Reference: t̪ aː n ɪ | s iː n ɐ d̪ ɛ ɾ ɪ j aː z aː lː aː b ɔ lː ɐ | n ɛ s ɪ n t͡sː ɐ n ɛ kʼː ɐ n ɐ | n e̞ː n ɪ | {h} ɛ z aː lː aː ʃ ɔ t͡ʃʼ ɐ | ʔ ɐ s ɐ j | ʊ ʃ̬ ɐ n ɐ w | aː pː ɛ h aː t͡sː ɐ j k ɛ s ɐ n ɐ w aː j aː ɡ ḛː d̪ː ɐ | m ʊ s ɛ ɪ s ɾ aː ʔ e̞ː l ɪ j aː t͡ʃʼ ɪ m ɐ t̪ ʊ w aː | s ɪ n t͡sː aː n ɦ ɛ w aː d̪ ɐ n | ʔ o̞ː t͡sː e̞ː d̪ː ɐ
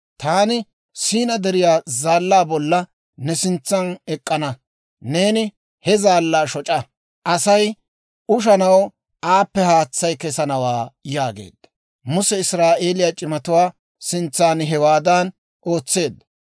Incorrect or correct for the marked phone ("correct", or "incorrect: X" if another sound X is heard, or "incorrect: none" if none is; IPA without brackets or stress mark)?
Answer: correct